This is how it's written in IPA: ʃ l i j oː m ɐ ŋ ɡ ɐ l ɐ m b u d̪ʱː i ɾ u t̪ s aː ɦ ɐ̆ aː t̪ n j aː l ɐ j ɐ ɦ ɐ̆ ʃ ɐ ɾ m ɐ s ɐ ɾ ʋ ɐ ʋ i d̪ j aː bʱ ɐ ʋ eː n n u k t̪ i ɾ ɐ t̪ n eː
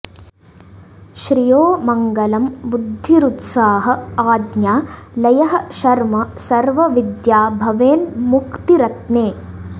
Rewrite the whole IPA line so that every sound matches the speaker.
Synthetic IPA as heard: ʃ ɾ i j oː m ɐ ŋ ɡ ɐ l ɐ m b u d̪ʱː i ɾ u t̪ s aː ɦ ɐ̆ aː d̪ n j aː l ɐ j ɐ ɦ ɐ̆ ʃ ɐ ɾ m ɐ s ɐ ɾ ʋ ɐ ʋ i d̪ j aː bʱ ɐ ʋ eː n m u k t̪ i ɾ ɐ t̪ n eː